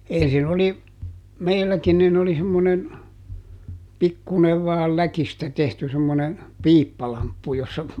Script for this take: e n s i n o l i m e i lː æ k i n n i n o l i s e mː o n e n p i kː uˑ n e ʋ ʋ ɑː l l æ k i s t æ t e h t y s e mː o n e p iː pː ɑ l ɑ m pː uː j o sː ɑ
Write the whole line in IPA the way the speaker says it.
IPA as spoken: e n s i n o l i m e i lː æ k i n n i n o l i s e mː o n e n p i kː uˑ n e ʋ ʋ ɑː l l æ k i s t æ t e h t y s e mː o n e p iː pː ɑ l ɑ m pː u j o sː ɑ